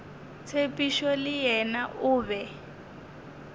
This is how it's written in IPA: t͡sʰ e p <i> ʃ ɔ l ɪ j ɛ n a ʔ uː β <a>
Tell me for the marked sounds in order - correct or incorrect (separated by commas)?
correct, incorrect